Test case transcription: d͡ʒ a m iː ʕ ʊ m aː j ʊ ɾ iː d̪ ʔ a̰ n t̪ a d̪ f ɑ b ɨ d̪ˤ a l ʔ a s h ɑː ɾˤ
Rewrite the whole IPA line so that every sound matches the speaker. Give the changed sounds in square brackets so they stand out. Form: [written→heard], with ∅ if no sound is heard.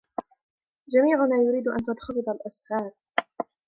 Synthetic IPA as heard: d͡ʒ a m iː ʕ ʊ [m→n] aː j ʊ ɾ iː d̪ ʔ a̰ n t̪ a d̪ [f→x] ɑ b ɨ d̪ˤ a l ʔ a s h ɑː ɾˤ